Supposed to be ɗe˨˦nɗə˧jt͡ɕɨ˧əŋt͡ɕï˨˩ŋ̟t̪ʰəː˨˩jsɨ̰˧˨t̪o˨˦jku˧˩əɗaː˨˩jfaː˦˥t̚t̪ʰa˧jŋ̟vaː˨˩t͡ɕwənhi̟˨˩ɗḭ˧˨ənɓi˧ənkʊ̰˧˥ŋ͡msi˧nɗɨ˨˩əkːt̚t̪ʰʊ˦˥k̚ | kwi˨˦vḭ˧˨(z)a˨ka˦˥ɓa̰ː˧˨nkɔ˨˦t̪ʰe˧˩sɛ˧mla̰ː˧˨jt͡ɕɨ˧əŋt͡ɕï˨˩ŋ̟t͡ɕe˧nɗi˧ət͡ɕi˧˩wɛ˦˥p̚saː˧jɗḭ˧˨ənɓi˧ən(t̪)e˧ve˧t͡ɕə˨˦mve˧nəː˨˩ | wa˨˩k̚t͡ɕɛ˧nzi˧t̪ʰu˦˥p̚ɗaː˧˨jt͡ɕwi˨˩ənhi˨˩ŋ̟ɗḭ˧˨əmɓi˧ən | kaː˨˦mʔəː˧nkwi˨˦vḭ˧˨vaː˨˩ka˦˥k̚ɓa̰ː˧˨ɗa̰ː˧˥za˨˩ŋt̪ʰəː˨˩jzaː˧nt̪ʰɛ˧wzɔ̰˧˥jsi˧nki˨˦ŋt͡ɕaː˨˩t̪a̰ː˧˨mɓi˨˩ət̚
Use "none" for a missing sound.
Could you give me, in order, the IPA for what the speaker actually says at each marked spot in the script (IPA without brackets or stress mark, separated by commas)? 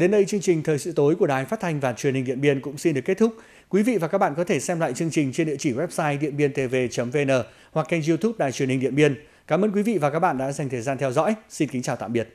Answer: v, t̪